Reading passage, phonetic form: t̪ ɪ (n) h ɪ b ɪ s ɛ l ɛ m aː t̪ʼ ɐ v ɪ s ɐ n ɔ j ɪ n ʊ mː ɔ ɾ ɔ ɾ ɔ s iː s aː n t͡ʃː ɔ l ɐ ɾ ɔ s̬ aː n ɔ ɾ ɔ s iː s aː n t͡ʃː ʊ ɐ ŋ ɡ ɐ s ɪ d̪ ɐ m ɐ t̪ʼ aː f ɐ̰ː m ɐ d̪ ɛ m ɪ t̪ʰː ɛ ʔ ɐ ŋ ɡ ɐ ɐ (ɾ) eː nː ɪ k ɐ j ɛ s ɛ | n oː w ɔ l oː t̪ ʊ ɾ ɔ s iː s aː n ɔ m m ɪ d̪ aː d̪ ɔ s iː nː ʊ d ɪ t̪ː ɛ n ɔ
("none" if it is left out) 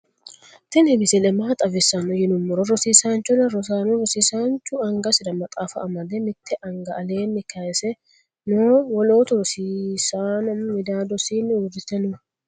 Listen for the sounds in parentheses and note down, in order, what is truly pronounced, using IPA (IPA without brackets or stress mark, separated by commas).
n, l